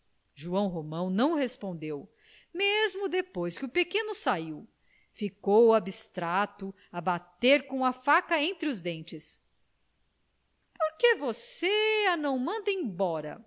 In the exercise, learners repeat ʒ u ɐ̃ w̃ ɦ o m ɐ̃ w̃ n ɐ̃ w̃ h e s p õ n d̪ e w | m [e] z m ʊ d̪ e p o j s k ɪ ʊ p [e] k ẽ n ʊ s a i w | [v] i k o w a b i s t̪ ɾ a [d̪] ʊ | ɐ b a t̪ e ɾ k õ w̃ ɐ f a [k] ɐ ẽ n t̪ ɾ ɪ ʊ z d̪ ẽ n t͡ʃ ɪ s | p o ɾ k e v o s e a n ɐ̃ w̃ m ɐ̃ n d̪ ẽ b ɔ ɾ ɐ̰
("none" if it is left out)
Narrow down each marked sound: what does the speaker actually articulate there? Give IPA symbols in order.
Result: e, e, f, t̪, k

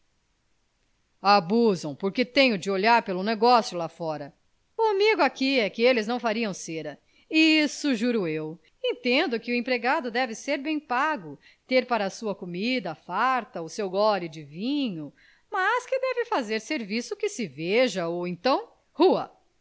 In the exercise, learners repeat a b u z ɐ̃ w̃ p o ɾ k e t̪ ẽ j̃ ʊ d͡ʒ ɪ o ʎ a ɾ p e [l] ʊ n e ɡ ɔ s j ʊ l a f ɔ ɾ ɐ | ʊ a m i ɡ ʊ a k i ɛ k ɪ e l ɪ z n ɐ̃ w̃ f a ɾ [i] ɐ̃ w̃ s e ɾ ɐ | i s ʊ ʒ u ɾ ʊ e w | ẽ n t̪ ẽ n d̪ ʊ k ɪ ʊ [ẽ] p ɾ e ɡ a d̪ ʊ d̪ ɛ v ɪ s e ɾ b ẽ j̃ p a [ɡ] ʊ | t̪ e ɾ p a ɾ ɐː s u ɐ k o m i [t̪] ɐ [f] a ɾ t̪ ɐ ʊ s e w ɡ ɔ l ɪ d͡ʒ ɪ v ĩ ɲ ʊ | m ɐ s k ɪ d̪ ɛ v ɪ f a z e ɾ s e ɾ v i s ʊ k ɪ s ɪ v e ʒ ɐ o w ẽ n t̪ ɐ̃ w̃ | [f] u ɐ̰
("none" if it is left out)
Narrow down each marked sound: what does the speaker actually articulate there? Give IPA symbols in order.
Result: l, i, ẽ, ɡ, d̪, f, h

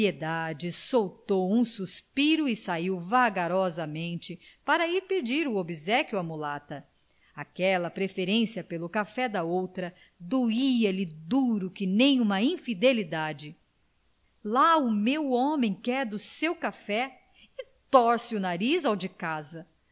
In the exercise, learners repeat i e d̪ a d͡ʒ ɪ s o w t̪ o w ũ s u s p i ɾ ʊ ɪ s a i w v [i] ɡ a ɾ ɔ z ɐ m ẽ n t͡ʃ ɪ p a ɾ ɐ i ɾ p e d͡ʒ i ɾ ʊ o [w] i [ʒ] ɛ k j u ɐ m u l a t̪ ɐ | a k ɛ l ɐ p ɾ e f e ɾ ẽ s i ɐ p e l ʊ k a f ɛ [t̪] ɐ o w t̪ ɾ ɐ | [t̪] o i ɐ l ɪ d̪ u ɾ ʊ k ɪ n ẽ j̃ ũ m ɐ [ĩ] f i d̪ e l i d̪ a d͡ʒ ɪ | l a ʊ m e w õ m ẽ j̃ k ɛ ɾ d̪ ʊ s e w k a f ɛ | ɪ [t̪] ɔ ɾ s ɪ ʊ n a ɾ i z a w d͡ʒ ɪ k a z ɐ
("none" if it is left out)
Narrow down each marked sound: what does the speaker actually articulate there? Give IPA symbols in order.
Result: a, b, z, d̪, d̪, ĩ, t̪

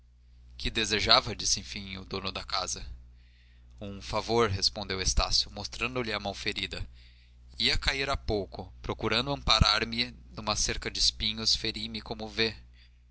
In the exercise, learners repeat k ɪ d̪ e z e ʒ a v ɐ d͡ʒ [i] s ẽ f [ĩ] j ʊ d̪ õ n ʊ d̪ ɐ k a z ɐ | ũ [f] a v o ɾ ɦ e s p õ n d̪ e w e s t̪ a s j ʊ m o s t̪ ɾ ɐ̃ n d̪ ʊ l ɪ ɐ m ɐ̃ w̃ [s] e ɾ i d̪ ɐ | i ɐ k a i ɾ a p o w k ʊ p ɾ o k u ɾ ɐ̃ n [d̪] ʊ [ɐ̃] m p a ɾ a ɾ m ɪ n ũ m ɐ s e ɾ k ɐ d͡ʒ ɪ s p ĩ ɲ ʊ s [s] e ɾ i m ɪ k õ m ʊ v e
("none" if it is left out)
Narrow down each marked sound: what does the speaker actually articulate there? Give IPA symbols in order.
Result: i, ĩ, f, f, d̪, ɐ̃, f

